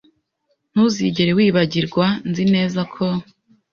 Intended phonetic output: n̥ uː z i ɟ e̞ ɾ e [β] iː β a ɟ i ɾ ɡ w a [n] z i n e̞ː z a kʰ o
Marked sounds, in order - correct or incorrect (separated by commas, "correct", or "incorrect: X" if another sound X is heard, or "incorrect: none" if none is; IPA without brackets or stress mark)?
incorrect: w, correct